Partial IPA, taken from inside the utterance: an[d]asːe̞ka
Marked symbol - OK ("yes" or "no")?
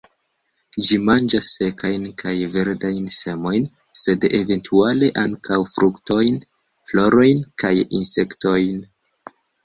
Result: no